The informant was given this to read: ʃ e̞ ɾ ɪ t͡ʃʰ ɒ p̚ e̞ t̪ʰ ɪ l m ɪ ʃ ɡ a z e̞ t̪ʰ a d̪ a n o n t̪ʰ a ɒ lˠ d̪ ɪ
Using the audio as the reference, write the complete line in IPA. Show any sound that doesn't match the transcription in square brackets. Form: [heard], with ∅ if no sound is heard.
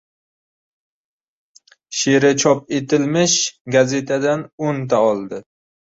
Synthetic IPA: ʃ e̞ ɾ ɪ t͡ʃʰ ɒ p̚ e̞ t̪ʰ ɪ l m ɪ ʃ ɡ a z e̞ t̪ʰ a d̪ a n o n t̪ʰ a ɒ lˠ d̪ ɪ